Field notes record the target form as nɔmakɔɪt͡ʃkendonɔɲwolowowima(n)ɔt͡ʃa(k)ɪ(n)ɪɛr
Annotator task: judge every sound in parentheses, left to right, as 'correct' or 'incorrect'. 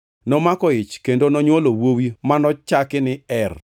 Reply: correct, correct, correct

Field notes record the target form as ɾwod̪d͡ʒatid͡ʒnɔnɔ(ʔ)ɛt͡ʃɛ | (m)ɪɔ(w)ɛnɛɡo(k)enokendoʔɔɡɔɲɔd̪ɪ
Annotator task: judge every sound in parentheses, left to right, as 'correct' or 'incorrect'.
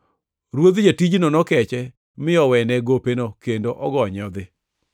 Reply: incorrect: k, correct, correct, incorrect: p

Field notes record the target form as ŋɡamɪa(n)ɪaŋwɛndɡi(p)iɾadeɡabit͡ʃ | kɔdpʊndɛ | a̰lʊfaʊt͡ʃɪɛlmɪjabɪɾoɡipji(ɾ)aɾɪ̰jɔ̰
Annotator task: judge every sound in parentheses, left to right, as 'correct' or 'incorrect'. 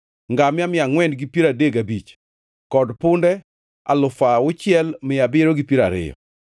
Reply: incorrect: m, correct, correct

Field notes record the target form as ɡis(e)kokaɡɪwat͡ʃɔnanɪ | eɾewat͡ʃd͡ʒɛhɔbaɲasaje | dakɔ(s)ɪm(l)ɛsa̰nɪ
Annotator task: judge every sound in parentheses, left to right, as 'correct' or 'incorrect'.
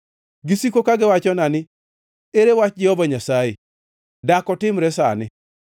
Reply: incorrect: i, incorrect: t, incorrect: ɾ

